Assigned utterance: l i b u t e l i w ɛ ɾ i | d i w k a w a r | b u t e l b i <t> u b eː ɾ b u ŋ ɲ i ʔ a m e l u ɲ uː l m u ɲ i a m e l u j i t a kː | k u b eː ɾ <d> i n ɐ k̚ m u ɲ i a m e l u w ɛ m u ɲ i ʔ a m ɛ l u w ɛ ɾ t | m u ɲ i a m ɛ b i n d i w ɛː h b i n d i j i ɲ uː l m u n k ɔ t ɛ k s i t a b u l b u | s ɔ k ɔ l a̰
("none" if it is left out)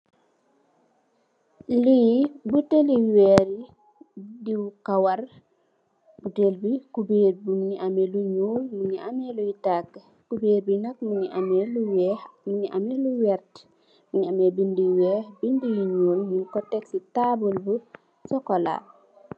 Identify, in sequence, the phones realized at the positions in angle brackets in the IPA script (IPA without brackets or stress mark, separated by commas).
k, b